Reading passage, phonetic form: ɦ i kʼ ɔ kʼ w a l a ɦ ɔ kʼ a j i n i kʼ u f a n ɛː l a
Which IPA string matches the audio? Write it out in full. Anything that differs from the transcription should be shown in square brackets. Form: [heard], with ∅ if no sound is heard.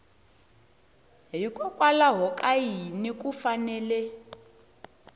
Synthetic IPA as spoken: ɦ i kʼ ɔ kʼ w a l a ɦ ɔ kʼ a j i n i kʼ u f a n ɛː l [ɛ]

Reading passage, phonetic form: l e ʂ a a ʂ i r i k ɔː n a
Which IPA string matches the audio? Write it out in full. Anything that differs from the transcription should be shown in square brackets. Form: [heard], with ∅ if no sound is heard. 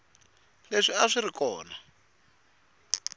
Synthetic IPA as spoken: l e ʂ [i] a ʂ i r i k ɔː n a

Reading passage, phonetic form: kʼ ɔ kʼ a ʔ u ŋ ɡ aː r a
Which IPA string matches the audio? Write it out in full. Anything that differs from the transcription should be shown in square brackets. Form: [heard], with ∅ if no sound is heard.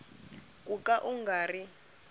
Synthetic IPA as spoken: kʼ [u] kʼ a ʔ u ŋ ɡ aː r [i]

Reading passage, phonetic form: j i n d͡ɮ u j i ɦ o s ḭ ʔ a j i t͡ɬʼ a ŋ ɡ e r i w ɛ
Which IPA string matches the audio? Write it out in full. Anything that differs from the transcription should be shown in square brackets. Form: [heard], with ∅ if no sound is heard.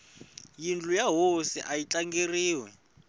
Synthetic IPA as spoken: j i n d͡ɮ u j [a] ɦ o s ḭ ʔ a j i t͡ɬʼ a ŋ ɡ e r [iː] w ɛ

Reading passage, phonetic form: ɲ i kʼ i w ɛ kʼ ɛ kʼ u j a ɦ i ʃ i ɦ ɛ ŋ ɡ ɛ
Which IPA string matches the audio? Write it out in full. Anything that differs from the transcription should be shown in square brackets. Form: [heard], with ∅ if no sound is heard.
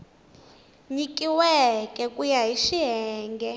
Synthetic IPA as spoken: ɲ i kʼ i w ɛ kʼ ɛ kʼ u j a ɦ i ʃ i ɦ [ɛː] ŋ ɡ ɛ

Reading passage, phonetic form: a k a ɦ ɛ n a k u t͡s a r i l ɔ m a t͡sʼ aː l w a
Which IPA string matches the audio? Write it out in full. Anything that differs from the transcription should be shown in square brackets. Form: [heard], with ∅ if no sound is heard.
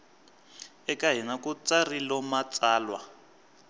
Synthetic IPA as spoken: [ɛ] k a ɦ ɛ n a k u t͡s a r i l ɔ m a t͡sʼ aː l w a

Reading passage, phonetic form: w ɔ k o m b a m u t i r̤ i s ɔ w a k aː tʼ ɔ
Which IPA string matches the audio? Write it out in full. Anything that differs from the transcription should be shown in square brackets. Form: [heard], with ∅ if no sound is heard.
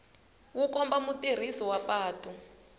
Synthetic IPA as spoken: w [u] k [ɔ] m b a m u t i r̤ i s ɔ w a [p] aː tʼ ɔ

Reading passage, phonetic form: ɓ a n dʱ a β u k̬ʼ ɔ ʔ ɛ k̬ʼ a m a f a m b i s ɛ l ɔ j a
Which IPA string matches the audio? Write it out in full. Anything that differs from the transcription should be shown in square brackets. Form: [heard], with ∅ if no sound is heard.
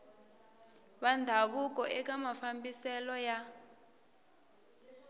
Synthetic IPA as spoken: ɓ a n dʱ a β u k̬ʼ ɔ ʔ ɛ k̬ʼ a m a f a m b i s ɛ l ɔ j a

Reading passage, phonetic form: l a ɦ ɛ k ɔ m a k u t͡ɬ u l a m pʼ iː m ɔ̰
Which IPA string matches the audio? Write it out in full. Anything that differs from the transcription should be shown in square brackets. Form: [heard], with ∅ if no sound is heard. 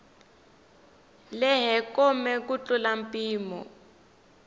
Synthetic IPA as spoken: l [ɛ] ɦ ɛ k ɔ m [ɛ] k u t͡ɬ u l a m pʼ iː m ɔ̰

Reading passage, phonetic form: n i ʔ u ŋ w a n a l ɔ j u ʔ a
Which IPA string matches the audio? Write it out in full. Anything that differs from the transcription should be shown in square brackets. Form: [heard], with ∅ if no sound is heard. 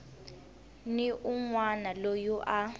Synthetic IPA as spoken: n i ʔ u ŋ w a n a l [o] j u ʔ a

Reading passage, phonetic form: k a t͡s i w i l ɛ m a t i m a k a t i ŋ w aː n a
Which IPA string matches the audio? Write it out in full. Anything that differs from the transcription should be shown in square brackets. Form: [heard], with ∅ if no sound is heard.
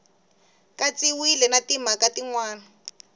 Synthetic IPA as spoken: k a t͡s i w i l ɛ [n] a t i m a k a t i ŋ w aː n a

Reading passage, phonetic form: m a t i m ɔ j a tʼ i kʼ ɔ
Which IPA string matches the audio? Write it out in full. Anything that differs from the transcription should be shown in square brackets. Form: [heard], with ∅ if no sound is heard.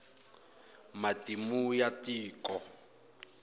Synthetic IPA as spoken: m a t i m [u] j a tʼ [iː] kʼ ɔ

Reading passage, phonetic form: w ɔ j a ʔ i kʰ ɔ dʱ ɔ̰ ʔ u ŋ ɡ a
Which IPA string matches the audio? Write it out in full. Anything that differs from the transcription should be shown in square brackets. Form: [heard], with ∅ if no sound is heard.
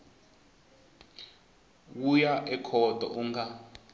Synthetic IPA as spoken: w [u] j a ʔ [ɛ] kʰ ɔ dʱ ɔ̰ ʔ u ŋ ɡ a

